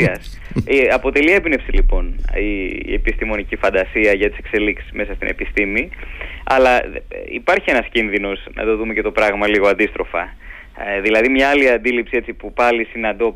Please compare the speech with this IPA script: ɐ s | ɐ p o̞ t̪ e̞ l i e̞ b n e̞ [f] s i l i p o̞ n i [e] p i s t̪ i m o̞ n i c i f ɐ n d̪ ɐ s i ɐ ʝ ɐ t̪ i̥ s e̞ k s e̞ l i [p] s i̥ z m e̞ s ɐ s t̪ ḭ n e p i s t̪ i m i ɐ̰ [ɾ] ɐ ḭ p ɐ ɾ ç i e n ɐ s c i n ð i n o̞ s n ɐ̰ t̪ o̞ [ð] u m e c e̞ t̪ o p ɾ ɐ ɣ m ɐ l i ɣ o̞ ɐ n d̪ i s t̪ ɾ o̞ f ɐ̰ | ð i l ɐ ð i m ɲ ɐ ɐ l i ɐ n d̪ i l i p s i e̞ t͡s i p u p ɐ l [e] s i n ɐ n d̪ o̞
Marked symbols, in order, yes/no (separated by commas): yes, yes, no, no, yes, no